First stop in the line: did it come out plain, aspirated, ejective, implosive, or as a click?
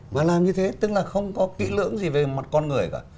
aspirated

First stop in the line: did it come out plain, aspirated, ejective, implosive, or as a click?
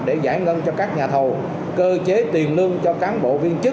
implosive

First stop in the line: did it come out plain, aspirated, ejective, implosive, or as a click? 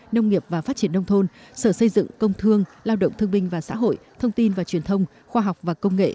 plain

